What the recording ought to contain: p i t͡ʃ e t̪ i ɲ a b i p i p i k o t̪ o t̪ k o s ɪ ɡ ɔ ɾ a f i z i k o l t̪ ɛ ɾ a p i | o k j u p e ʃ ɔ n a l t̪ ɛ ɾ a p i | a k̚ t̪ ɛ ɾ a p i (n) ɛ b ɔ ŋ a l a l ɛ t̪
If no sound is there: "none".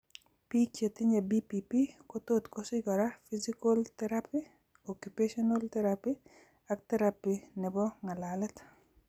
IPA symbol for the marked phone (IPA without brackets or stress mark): n